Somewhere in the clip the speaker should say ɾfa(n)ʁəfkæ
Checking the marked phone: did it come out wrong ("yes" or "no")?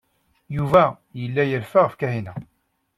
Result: yes